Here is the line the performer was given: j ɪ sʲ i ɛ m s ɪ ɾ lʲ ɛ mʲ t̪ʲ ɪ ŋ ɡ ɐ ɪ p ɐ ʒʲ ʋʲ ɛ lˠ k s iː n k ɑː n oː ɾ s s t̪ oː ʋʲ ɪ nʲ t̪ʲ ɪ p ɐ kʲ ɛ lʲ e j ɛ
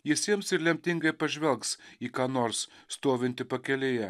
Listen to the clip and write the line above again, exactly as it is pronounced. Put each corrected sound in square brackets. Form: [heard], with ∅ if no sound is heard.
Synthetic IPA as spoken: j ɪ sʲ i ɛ m s ɪ ɾ lʲ ɛ mʲ t̪ʲ ɪ ŋ ɡ ɐ ɪ p ɐ ʒʲ ʋʲ ɛ lˠ k s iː [∅] k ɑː n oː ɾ s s t̪ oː ʋʲ ɪ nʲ t̪ʲ ɪ p ɐ kʲ ɛ lʲ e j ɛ

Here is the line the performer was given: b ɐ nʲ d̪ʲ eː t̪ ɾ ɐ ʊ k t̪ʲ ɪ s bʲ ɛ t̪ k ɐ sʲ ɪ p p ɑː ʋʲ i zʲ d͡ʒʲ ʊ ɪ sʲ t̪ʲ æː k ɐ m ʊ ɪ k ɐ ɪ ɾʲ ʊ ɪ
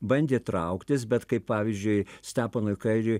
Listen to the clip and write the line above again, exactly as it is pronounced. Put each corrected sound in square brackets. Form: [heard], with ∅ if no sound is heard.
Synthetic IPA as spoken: b ɐ nʲ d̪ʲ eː t̪ ɾ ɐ ʊ k t̪ʲ ɪ s bʲ ɛ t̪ k ɐ [∅] ɪ p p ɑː ʋʲ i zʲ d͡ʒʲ ʊ ɪ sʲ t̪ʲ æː [p] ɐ [n] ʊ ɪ k ɐ ɪ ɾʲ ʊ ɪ

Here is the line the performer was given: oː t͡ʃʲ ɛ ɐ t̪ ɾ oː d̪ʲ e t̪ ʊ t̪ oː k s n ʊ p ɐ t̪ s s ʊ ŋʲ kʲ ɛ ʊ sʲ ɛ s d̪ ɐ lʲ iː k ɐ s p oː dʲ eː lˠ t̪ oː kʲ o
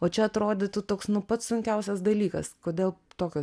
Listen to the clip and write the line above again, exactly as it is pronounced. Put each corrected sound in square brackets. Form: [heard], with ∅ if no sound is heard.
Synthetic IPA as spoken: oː t͡ʃʲ ɛ ɐ t̪ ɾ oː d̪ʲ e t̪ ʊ t̪ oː k s n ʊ p ɐ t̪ s s ʊ ŋʲ kʲ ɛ ʊ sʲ ɛ s d̪ ɐ lʲ iː k ɐ s [k] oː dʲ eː lˠ t̪ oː kʲ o

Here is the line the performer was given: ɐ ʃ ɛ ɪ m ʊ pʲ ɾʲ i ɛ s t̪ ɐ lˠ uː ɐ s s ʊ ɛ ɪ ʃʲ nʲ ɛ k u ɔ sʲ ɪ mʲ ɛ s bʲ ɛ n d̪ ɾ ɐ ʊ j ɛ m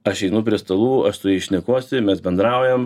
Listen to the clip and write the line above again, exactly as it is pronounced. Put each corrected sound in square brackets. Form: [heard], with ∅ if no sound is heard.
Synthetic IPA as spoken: ɐ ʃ ɛ ɪ [n] ʊ pʲ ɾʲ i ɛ s t̪ ɐ lˠ uː ɐ [ʃ] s ʊ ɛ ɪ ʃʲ nʲ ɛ k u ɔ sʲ ɪ mʲ ɛ s bʲ ɛ n d̪ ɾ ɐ ʊ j ɛ m

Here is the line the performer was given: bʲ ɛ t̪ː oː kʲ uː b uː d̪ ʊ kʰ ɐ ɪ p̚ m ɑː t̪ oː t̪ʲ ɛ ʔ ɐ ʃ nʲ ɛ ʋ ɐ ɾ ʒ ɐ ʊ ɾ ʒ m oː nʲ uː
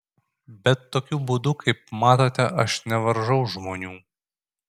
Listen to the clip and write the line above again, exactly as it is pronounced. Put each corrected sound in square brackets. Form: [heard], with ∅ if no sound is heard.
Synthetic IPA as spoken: bʲ ɛ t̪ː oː kʲ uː b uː d̪ ʊ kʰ ɐ ɪ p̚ m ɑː t̪ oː t̪ʲ ɛ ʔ ɐ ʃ nʲ ɛ ʋ ɐ ɾ ʒ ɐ ʊ [∅] ʒ m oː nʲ uː

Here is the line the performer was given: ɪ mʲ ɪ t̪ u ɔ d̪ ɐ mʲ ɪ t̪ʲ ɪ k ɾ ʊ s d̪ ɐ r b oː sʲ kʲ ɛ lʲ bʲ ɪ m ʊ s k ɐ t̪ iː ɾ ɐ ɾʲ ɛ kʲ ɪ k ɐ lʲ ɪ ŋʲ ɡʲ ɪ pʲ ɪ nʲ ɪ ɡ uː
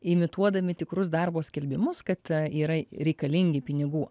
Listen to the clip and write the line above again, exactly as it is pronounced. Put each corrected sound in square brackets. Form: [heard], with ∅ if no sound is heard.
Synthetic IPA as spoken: ɪ mʲ ɪ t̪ u ɔ d̪ ɐ mʲ ɪ t̪ʲ ɪ k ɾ ʊ s d̪ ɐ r b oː sʲ kʲ ɛ lʲ bʲ ɪ m ʊ s k ɐ t̪ iː ɾ ɐ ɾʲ ɛ [∅] ɪ k ɐ lʲ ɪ ŋʲ ɡʲ ɪ pʲ ɪ nʲ ɪ ɡ uː

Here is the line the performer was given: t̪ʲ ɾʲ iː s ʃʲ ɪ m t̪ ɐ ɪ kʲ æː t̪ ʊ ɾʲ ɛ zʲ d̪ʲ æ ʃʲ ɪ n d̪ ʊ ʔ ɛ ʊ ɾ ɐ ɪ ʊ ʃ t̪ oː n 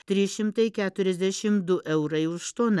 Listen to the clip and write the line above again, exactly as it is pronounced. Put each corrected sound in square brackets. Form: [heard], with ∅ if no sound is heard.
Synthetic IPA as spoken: t̪ʲ ɾʲ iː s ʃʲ ɪ m t̪ ɐ ɪ kʲ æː t̪ ʊ ɾʲ ɛ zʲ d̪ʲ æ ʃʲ ɪ [m] d̪ ʊ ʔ ɛ ʊ ɾ ɐ ɪ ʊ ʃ t̪ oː n

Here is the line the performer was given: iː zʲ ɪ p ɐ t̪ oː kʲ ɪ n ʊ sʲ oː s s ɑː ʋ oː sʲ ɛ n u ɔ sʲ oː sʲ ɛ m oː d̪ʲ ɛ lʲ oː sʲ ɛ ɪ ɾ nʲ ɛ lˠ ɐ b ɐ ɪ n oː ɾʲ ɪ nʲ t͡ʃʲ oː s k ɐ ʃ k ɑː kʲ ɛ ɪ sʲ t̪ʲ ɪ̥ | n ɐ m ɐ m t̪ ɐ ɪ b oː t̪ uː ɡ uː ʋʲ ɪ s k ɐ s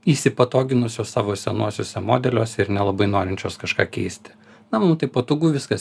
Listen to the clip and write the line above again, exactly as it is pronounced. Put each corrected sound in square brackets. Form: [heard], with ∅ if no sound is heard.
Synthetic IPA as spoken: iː [sʲ] ɪ p ɐ t̪ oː [ɡʲ] ɪ n ʊ sʲ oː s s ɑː ʋ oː sʲ ɛ n u ɔ sʲ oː sʲ ɛ m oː d̪ʲ ɛ lʲ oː sʲ ɛ ɪ ɾ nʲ ɛ lˠ ɐ b ɐ ɪ n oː ɾʲ ɪ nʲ t͡ʃʲ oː s k ɐ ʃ k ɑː kʲ ɛ ɪ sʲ t̪ʲ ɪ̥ | n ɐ m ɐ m t̪ ɐ ɪ [p] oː t̪ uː ɡ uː ʋʲ ɪ s k ɐ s

